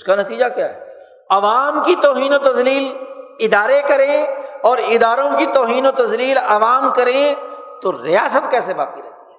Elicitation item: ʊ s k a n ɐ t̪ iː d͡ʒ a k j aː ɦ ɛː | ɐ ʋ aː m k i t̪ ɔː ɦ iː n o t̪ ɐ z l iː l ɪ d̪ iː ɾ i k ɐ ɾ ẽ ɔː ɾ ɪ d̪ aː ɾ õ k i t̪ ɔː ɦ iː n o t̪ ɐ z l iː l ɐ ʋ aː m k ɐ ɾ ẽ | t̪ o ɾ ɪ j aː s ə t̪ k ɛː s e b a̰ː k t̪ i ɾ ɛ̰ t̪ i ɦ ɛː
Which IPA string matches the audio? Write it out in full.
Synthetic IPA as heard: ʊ s k a n ɐ t̪ iː d͡ʒ a k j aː ɦ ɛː | ɐ ʋ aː m k i t̪ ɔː ɦ iː n o t̪ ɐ z l iː l ɪ d̪ aː ɾ e k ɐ ɾ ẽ ɔː ɾ ɪ d̪ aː ɾ õ k i t̪ ɔː ɦ iː n o t̪ ɐ z l iː l ɐ ʋ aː m k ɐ ɾ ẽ | t̪ o ɾ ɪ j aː s ə t̪ k ɛː s e b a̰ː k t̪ i ɾ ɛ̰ t̪ i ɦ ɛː